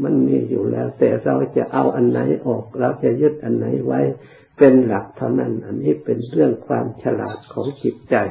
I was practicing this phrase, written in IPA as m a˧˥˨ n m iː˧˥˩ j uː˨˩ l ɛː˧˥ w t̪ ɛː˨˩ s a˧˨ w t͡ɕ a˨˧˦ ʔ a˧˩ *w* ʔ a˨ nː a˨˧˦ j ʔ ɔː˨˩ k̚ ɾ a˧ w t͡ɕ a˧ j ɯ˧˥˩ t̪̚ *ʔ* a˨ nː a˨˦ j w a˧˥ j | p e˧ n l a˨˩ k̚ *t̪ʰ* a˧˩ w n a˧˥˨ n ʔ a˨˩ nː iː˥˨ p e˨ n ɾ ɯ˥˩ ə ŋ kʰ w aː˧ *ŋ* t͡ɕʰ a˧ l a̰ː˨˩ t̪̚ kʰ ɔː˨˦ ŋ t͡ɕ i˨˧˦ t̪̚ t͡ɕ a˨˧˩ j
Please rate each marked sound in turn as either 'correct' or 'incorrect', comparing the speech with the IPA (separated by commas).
correct, correct, correct, incorrect